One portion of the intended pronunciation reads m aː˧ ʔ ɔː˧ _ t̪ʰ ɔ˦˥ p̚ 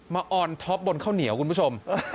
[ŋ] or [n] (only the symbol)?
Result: n